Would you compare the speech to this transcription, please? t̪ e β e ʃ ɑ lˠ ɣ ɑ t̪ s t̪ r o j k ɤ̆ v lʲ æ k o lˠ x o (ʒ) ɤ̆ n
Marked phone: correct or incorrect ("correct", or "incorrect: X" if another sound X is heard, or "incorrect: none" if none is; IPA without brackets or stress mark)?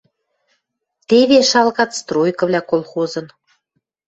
incorrect: z